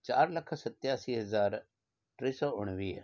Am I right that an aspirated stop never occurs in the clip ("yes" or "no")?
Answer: no